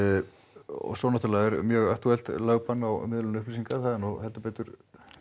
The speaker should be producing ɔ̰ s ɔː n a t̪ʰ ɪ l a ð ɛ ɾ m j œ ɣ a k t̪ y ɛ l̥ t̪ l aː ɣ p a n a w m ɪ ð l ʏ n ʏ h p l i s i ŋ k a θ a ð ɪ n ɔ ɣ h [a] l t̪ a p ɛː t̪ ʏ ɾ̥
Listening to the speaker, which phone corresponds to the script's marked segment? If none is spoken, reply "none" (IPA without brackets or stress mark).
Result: ɛ